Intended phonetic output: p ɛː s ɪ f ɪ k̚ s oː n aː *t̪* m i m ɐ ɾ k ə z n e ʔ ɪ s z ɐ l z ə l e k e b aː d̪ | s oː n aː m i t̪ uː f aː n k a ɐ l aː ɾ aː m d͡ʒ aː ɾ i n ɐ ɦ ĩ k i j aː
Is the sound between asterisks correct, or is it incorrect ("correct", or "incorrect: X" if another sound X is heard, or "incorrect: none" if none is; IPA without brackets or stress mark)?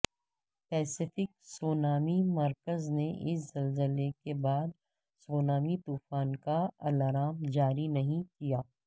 incorrect: none